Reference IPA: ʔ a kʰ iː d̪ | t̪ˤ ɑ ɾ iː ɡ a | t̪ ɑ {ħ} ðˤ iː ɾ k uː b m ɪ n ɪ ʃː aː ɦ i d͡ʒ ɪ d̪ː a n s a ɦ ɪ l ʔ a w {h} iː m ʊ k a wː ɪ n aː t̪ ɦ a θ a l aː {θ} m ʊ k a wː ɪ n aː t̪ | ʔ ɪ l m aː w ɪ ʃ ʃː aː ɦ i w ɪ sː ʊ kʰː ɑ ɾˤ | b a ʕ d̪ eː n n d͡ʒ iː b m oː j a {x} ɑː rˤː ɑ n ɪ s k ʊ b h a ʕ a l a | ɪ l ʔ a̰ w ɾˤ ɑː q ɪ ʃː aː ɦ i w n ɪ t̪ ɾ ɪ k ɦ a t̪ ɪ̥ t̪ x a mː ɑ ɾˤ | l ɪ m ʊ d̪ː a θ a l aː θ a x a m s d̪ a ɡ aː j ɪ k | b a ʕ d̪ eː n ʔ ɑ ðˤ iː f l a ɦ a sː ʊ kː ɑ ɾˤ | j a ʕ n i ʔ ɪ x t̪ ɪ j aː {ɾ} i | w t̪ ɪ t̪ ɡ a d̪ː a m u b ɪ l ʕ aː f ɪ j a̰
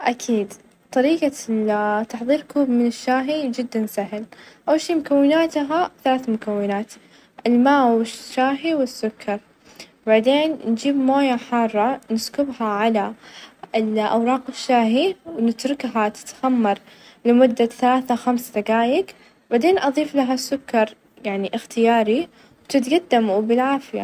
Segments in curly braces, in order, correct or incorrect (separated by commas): correct, incorrect, correct, incorrect, correct